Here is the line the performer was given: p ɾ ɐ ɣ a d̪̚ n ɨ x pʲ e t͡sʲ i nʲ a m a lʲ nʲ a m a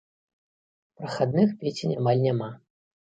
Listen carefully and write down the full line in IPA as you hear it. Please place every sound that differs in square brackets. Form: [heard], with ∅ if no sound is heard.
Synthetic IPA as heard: p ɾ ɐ [x] a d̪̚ n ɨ x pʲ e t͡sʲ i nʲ a m a lʲ nʲ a m a